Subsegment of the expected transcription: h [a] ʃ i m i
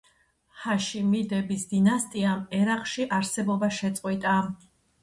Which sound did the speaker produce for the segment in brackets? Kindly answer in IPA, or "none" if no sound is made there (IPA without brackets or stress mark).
a